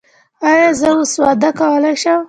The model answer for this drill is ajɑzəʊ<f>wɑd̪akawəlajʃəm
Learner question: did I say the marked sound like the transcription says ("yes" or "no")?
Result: no